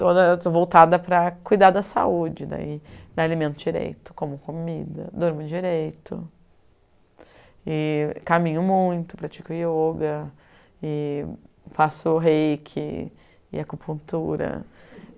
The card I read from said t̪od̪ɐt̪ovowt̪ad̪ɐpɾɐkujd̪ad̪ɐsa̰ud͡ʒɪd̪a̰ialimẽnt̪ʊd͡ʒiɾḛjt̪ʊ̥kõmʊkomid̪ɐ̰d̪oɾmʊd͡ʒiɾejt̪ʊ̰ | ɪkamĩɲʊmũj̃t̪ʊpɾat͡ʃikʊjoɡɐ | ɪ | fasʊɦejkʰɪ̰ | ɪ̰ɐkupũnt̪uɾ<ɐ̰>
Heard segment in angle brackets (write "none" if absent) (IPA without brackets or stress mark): ɐ̰